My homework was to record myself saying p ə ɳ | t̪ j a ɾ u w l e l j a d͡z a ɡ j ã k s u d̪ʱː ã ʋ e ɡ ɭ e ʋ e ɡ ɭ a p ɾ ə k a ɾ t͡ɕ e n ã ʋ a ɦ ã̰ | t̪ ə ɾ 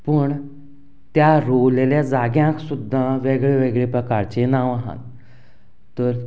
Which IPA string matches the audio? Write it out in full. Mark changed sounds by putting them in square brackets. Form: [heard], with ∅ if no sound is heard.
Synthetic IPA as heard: p ə ɳ | t̪ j a ɾ [o] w l e l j a d͡z a ɡ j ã k s u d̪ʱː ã ʋ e ɡ ɭ e ʋ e ɡ ɭ [e] p ɾ ə k a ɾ t͡ɕ e n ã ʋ a ɦ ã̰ | t̪ ə ɾ